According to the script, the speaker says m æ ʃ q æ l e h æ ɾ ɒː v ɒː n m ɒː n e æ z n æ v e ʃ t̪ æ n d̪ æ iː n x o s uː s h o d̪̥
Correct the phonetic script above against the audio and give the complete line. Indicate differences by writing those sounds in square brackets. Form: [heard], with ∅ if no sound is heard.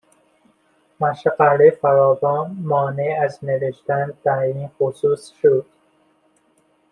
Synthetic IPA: m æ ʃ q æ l e [f] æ ɾ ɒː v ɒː n m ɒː n e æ z n [e] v e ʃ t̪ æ n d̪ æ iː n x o s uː s [ʃ] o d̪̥